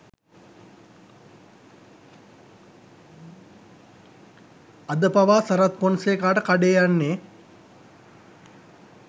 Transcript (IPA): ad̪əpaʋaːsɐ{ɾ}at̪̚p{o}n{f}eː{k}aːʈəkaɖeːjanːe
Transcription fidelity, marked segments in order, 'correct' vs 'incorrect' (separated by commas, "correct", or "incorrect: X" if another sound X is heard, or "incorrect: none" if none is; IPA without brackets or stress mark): correct, correct, incorrect: s, correct